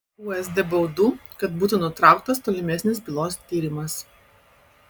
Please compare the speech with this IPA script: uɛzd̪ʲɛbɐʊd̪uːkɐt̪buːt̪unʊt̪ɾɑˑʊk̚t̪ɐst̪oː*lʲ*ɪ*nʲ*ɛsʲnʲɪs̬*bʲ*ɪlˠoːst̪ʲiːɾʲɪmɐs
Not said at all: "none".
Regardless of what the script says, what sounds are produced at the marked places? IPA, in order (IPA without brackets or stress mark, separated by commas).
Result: lʲ, mʲ, bʲ